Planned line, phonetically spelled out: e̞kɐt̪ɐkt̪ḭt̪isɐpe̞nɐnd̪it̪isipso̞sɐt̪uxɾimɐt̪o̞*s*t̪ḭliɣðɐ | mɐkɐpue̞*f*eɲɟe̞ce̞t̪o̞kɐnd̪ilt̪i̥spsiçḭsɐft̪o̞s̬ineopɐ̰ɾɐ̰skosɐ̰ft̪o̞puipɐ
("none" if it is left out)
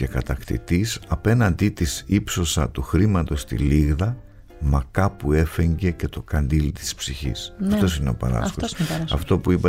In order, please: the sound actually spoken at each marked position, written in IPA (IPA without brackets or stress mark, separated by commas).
s, f